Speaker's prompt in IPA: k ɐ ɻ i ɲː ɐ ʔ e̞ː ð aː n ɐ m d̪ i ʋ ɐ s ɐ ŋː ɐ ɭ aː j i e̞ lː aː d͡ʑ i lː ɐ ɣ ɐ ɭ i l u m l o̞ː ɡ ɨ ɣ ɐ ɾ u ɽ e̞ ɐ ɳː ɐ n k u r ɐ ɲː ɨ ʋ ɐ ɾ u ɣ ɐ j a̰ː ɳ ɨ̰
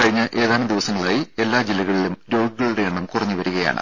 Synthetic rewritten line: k ɐ ɻ i ɲː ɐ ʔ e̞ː ð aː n ɐ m d̪ i ʋ ɐ s ɐ ŋː ɐ ɭ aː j i e̞ lː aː d͡ʑ i lː ɐ ɣ ɐ ɭ i l u m ɾ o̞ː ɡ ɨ ɣ ɐ ɭ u ɽ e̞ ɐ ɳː ɐ m k u r ɐ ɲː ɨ ʋ ɐ ɾ u ɣ ɐ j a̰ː ɳ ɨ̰